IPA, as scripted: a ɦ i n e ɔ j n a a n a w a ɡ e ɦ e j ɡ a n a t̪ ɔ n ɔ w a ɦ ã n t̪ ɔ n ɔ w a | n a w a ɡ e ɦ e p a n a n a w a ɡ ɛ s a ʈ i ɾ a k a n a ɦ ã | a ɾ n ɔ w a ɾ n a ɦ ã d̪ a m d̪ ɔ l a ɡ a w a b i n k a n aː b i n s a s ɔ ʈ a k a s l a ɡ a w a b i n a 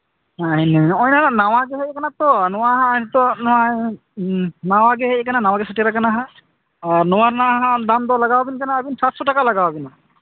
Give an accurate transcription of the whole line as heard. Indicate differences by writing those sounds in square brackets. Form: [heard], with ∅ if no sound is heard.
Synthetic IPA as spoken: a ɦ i n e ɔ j n a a n a w a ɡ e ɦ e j [k] a n a t̪ ɔ n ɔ w a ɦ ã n t̪ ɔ n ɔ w a | n a w a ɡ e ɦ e [k] a n a n a w a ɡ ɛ s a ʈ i ɾ a k a n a ɦ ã | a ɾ n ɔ w a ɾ n a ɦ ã d̪ a m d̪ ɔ l a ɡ a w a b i n k a n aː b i n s a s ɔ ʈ a k a [∅] l a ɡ a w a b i n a